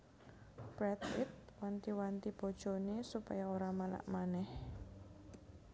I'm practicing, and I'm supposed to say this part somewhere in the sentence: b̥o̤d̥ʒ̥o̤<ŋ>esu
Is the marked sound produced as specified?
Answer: no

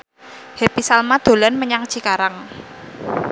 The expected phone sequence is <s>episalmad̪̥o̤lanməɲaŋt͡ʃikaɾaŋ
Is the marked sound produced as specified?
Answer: no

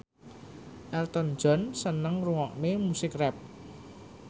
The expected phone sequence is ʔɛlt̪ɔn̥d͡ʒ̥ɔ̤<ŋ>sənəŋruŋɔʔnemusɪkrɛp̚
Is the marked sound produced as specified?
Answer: no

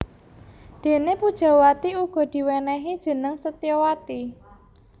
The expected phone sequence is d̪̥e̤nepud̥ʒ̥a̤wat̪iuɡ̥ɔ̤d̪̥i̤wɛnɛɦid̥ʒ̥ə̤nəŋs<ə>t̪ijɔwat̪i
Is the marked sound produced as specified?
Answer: yes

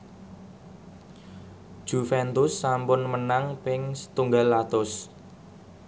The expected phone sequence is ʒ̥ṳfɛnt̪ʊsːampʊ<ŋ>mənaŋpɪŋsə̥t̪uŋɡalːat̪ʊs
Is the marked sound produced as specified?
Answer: no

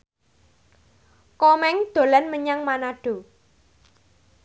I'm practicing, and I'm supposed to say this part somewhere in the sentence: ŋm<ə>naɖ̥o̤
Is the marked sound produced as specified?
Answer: no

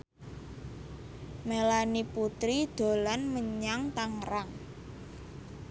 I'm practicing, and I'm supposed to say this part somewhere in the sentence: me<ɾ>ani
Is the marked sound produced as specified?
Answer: no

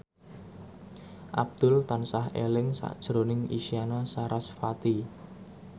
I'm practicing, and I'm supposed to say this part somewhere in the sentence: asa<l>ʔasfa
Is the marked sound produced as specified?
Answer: no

